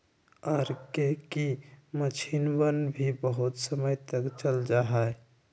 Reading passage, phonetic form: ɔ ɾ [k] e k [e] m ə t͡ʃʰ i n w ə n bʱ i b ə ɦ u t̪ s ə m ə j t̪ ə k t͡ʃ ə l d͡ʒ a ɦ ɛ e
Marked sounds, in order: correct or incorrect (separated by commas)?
correct, incorrect